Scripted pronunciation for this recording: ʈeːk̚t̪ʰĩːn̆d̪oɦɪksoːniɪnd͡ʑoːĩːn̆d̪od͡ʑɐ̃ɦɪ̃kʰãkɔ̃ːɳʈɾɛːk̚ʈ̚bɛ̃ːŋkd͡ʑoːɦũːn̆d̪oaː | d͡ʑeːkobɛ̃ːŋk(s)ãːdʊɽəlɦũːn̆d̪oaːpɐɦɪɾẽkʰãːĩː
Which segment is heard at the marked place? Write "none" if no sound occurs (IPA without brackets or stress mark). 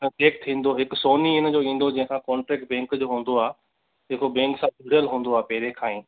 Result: s